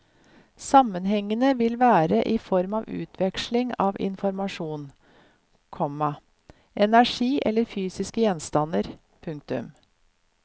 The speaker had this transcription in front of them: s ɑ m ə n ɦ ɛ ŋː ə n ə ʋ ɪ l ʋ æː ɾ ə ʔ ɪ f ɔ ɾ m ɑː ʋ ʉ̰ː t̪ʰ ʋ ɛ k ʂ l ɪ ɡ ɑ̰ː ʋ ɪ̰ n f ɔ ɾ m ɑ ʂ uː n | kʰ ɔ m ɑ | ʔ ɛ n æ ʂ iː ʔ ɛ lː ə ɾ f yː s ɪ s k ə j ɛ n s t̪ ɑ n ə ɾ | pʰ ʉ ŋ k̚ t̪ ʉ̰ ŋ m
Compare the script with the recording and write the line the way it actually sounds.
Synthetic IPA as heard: s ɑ m ə n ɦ ɛ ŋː ə n ə ʋ ɪ l ʋ æː ɾ ə ʔ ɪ f ɔ ɾ m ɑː ʋ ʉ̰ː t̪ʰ ʋ ɛ k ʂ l ɪ ŋ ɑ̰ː ʋ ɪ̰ n f ɔ ɾ m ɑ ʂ uː n | kʰ ɔ m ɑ | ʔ ɛ n æ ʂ iː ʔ ɛ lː ə ɾ f yː s ɪ s k ə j ɛ n s t̪ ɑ n ə ɾ | pʰ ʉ ŋ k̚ t̪ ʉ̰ m